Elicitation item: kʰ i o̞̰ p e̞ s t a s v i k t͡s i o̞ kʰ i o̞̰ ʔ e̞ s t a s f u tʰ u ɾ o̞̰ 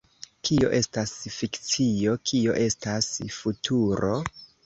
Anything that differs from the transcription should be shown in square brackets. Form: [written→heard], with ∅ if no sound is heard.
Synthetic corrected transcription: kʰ i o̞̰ [p→ʔ] e̞ s t a s [v→f] i k t͡s i o̞ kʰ i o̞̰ ʔ e̞ s t a s f u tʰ u ɾ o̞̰

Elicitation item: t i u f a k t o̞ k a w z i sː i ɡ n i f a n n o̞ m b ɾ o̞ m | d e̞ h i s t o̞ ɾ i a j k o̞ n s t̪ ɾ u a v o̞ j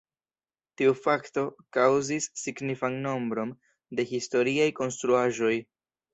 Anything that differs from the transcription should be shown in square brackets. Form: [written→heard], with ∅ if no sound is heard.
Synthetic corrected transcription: t i u f a k t o̞ k a w z i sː i ɡ n i f a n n o̞ m b ɾ o̞ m | d e̞ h i s t o̞ ɾ i a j k o̞ n s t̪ ɾ u a [v→ʒ] o̞ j

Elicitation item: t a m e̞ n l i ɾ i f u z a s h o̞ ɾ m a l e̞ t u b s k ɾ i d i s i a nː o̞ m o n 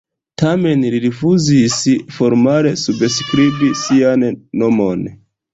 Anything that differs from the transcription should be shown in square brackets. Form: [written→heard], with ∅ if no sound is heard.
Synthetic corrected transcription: t a m e̞ n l i ɾ i f u z [a→i] s [h→f] o̞ ɾ m a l e̞ [t→s] u b s k ɾ i [d→b] i s i a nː o̞ m o n

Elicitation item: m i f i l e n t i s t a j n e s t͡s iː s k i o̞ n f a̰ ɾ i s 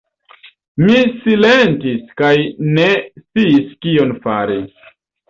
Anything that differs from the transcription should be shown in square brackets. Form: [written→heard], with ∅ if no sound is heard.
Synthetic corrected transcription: m i [f→s] i l e n t i s [t→k] a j n e s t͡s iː s k i o̞ n f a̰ ɾ i s

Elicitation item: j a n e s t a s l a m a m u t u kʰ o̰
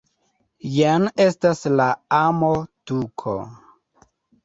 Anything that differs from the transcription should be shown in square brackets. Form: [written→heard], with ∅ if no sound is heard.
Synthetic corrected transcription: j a n e s t a s l a [m→∅] a m [u→o] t u kʰ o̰

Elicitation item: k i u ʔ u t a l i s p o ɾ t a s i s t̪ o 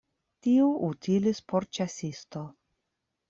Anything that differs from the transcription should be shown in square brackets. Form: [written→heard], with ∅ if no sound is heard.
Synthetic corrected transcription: [k→t] i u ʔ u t [a→i] l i s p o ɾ [t→t͡ʃ] a s i s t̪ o

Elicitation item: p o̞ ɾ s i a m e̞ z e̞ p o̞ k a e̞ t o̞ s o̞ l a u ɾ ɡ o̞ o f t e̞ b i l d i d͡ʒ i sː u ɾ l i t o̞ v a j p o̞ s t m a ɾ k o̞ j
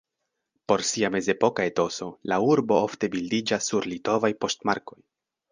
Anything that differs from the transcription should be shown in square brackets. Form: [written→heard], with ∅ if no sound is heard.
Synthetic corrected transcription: p o̞ ɾ s i a m e̞ z e̞ p o̞ k a e̞ t o̞ s o̞ l a u ɾ [ɡ→b] o̞ o f t e̞ b i l d i d͡ʒ [i→a] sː u ɾ l i t o̞ v a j p o̞ s t m a ɾ k o̞ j

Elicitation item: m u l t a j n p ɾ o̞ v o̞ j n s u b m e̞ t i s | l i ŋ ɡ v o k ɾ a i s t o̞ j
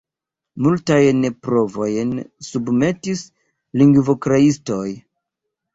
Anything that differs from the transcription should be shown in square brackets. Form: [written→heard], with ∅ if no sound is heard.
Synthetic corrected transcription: m u l t a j n p ɾ o̞ v o̞ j n s u b m e̞ t i s | l i ŋ ɡ v o k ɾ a i s t o̞ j

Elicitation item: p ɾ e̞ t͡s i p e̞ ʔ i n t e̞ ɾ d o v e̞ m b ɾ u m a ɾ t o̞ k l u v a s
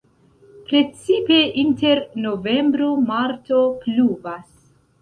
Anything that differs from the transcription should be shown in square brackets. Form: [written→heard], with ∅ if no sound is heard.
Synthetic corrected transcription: p ɾ e̞ t͡s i p e̞ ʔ i n t e̞ ɾ [d→n] o v e̞ m b ɾ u m a ɾ t o̞ [k→p] l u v a s

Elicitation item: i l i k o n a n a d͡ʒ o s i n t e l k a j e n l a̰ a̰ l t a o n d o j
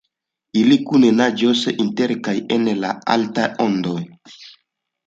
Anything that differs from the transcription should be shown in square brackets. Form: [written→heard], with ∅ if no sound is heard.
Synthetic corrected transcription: i l i k [o→u] n [a→e] n a d͡ʒ o s i n t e [l→ɾ] k a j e n l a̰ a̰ l t a o n d o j

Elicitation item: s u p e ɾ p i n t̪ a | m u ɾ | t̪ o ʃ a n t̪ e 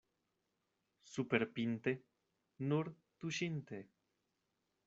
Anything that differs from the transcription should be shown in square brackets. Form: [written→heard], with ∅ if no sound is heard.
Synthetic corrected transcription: s u p e ɾ p i n t̪ [a→e] | [m→n] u ɾ | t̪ [o→u] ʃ [a→i] n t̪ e

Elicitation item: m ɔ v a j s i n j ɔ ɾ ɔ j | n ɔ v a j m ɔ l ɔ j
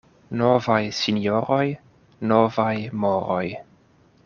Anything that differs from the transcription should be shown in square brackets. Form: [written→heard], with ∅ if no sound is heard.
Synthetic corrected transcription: [m→n] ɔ v a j s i n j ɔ ɾ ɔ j | n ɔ v a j m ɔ [l→ɾ] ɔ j

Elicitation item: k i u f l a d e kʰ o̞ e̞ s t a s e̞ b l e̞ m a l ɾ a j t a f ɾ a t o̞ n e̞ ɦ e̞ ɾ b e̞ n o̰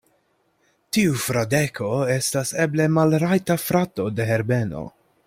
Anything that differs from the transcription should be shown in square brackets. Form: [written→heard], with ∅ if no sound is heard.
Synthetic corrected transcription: [k→t] i u f [l→ɾ] a d e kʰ o̞ e̞ s t a s e̞ b l e̞ m a l ɾ a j t a f ɾ a t o̞ [n→d] e̞ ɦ e̞ ɾ b e̞ n o̰

